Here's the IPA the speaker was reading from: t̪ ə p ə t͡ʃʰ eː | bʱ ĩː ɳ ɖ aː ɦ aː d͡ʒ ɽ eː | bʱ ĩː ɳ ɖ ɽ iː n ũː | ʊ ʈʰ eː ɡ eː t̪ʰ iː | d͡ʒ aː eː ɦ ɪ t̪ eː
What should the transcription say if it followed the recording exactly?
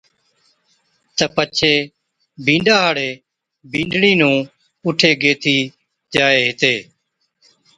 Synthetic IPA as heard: t̪ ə p ə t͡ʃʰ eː | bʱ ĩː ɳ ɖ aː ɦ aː ɽ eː | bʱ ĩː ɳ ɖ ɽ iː n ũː | ʊ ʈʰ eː ɡ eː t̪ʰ iː | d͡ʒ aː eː ɦ ɪ t̪ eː